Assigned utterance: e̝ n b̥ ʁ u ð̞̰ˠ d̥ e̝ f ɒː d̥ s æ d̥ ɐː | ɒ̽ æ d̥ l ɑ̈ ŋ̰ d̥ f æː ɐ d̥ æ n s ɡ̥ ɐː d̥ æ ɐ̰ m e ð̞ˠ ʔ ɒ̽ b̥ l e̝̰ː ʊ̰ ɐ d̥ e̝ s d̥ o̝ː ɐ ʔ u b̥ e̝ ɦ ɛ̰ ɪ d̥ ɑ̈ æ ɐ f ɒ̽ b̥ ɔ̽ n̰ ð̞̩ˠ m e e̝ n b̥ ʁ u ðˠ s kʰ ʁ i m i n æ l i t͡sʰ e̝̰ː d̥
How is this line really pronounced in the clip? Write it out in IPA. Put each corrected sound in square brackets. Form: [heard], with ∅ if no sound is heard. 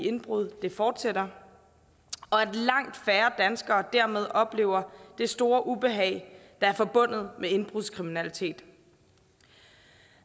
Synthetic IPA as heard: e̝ n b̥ ʁ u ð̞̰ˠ d̥ e̝ f ɒː d̥ s [e] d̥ [ɐ] | ɒ̽ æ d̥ l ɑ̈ ŋ̰ d̥ f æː ɐ d̥ æ n s ɡ̥ ɐː d̥ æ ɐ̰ m e ð̞ˠ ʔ ɒ̽ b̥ l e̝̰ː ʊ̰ ɐ d̥ e̝ s d̥ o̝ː ɐ ʔ u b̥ e̝ ɦ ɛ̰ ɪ d̥ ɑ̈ æ ɐ f ɒ̽ b̥ ɔ̽ n̰ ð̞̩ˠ m e e̝ n b̥ ʁ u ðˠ s kʰ ʁ i m i n æ l i t͡sʰ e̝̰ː d̥